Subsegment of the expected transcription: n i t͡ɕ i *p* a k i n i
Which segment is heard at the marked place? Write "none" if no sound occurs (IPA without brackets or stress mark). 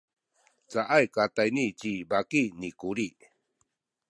b